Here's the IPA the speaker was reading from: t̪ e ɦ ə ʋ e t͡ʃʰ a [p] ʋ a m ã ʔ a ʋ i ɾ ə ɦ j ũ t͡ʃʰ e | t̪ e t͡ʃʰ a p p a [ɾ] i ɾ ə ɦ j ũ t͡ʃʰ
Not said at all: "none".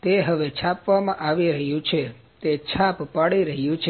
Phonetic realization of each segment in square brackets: p, ɽ

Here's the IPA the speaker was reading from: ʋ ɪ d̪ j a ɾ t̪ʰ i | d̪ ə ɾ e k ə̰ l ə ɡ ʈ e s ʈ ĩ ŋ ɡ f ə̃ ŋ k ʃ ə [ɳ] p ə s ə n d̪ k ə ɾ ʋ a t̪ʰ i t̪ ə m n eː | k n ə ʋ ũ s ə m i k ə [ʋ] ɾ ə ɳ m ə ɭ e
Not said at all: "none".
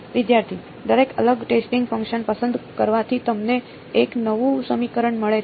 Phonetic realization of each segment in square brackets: n, none

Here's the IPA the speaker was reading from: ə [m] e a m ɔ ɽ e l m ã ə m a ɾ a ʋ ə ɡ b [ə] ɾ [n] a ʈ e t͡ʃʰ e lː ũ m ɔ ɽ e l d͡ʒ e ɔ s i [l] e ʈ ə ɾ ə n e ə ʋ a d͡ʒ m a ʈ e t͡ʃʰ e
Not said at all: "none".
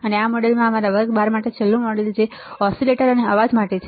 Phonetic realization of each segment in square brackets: n, a, m, l

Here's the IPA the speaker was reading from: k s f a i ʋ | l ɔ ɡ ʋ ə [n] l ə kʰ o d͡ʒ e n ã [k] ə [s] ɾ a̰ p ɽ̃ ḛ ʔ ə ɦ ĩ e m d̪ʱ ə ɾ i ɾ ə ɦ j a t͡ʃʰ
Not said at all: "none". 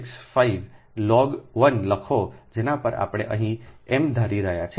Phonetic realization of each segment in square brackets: n, p, none

